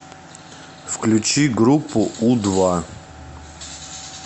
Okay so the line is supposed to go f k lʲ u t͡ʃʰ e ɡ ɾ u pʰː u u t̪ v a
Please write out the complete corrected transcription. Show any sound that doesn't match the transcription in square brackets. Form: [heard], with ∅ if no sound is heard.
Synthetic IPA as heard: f k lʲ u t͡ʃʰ [i] ɡ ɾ u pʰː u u [d̪] v a